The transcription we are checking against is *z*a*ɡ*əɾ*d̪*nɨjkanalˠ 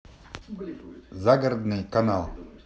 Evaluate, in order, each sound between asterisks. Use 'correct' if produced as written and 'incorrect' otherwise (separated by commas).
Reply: correct, correct, correct